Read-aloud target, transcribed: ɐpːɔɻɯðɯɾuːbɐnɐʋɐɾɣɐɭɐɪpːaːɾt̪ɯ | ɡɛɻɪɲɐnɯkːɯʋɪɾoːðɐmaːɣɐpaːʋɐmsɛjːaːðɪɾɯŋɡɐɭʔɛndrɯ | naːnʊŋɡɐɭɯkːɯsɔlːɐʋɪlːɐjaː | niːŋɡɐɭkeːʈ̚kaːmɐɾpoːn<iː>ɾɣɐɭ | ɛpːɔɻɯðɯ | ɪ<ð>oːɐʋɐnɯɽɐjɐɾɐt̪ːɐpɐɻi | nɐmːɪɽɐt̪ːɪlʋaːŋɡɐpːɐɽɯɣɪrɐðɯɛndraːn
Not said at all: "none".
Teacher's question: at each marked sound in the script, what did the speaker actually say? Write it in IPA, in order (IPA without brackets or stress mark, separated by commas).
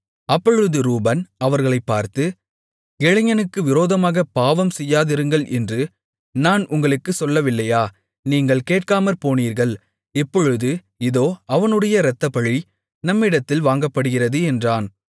iː, ð